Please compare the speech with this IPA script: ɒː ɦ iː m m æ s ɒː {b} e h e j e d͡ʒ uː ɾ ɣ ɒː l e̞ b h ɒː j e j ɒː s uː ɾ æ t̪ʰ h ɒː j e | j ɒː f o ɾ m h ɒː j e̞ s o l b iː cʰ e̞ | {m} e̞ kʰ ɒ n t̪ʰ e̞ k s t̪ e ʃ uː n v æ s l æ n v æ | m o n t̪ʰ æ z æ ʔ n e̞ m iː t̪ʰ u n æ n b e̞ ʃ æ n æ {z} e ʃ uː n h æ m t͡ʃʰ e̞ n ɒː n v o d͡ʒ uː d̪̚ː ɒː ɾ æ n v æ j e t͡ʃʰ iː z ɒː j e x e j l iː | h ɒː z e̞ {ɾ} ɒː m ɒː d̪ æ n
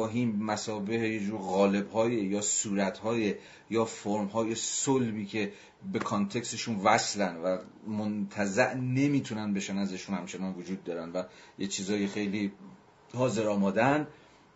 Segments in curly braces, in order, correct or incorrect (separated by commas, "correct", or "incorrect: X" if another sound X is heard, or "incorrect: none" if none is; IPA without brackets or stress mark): correct, incorrect: b, correct, correct